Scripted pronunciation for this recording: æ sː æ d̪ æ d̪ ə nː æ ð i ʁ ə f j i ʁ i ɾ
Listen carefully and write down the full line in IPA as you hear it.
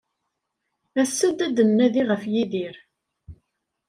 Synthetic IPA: æ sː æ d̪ æ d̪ ə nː æ ð i ʁ ə f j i ð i ɾ